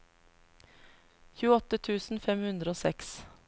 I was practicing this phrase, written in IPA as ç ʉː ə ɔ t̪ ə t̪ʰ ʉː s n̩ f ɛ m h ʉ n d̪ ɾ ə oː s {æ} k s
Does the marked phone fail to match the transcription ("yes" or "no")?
yes